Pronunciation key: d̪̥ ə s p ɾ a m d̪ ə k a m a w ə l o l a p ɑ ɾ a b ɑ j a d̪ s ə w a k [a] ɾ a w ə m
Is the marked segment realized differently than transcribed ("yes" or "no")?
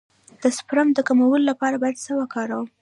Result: yes